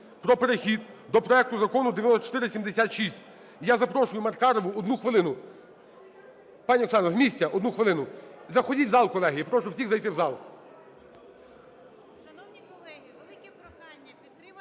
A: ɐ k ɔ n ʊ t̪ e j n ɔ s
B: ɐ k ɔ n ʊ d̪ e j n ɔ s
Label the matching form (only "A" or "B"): B